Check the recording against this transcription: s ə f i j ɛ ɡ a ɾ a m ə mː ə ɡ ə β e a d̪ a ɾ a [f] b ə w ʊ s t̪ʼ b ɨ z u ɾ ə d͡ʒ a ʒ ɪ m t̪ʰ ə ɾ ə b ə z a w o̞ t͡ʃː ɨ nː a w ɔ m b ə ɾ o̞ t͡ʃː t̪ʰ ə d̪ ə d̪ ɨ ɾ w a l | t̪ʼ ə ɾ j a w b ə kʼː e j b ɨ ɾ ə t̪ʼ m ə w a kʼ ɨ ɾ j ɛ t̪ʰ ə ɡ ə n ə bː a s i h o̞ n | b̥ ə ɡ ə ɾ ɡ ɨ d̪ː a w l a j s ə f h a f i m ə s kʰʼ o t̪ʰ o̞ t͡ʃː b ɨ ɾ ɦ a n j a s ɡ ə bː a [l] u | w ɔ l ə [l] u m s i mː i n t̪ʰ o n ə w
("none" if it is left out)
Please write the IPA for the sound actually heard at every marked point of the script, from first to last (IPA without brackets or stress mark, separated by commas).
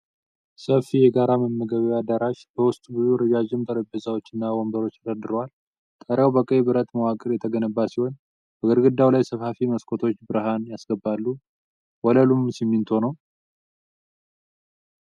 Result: ʃ, lː, l